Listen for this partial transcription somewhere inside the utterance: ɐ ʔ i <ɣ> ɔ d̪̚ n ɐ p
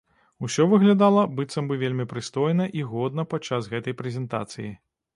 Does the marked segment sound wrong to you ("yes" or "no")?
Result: no